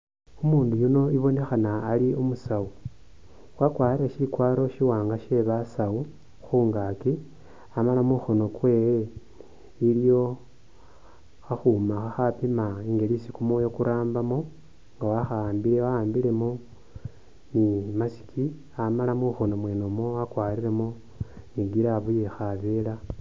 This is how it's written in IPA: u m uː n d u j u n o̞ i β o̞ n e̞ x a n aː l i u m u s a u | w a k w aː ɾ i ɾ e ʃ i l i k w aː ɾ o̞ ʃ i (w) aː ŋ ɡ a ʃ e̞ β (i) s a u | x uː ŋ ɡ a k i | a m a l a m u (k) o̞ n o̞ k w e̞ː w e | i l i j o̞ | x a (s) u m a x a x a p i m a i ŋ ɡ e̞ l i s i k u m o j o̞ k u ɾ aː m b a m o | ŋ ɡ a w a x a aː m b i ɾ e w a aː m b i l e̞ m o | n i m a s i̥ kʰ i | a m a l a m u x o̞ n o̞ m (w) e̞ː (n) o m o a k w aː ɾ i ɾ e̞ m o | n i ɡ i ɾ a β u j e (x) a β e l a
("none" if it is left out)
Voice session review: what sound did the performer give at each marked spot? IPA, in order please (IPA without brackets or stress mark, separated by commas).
w, a, x, x, w, n, x